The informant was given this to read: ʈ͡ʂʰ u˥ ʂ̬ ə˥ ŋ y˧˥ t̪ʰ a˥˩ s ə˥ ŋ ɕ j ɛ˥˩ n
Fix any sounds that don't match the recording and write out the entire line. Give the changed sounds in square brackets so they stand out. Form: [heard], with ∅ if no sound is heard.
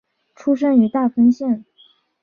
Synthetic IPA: ʈ͡ʂʰ u˥ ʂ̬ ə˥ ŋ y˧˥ [t̪] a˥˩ [f] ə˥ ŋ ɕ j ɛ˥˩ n